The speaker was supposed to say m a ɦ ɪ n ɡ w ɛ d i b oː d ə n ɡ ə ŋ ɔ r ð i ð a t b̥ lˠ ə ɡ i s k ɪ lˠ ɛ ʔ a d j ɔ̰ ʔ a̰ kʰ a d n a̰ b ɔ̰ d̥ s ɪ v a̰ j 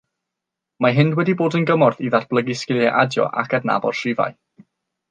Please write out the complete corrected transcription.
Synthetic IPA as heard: m a ɦ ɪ n d w ɛ d i b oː d ə n ɡ ə m ɔ r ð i ð a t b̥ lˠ ə ɡ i s k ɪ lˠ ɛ ʔ a d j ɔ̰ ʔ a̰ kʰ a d n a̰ b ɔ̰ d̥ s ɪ v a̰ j

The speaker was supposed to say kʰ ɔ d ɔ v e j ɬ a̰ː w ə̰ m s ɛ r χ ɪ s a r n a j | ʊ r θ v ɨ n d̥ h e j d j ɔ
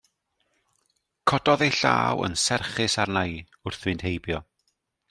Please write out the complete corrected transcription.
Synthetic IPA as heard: kʰ ɔ d ɔ ð e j ɬ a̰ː w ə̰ n s ɛ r χ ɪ s a r n a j | ʊ r θ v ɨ n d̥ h e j b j ɔ

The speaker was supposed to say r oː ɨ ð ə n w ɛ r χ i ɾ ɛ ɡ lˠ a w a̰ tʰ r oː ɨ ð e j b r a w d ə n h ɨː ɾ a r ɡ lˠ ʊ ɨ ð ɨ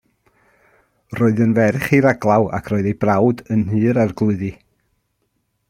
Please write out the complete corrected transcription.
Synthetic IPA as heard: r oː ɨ ð ə n v ɛ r χ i ɾ a ɡ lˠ a w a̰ kʰ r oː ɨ ð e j b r a w d ə n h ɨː ɾ a r ɡ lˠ ʊ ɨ ð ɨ

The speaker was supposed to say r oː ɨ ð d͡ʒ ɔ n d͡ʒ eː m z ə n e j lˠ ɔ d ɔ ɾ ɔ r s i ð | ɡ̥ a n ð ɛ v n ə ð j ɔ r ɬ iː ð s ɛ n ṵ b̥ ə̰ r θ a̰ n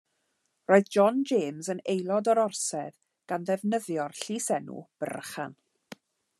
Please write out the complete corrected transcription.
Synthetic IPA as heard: r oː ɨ ð d͡ʒ ɔ n d͡ʒ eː m z ə n e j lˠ ɔ d ɔ ɾ ɔ r s ɛ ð | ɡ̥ a n ð ɛ v n ə ð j ɔ r ɬ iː s ɛ n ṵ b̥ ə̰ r χ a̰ n

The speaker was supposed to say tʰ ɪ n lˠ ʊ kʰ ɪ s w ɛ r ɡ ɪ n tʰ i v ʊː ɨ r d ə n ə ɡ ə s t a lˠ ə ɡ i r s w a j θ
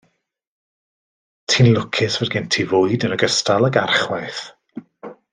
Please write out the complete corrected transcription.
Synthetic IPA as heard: tʰ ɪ n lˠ ʊ kʰ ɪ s v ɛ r ɡ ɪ n tʰ i v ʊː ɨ d ə n ə ɡ ə s t a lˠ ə ɡ a r χ w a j θ

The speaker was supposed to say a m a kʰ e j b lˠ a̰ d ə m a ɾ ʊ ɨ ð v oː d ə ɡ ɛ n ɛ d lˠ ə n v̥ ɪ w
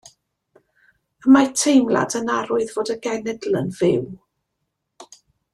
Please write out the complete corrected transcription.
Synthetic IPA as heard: ə m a tʰ e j m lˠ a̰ d ə n a ɾ ʊ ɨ ð v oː d ə ɡ ɛ n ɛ d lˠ ə n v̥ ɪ w

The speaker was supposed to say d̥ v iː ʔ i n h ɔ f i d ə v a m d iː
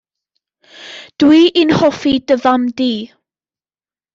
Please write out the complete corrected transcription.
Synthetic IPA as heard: d̥ w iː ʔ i n h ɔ f i d ə v a m d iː

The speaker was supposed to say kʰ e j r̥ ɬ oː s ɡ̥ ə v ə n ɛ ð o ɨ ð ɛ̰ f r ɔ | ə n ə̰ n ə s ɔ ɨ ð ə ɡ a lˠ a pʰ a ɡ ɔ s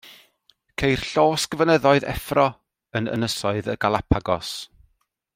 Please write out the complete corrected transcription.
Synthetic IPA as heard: kʰ e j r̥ ɬ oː s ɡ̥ ə v ə n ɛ ð ɔ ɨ ð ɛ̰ f r ɔ | ə n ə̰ n ə s ɔ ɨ ð ə ɡ a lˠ a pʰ a ɡ ɔ s

